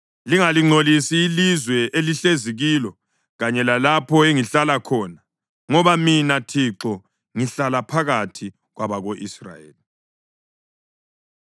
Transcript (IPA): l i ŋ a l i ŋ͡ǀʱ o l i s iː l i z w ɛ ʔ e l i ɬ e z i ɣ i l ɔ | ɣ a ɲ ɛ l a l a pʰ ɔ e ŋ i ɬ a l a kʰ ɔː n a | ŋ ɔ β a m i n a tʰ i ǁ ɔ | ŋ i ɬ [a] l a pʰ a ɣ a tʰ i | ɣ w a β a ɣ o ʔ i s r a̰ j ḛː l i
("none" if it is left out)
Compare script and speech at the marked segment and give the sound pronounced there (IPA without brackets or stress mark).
a